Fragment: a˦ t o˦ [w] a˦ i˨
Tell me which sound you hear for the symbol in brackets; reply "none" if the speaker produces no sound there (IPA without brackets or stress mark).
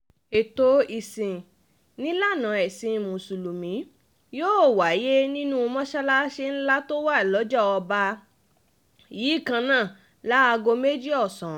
w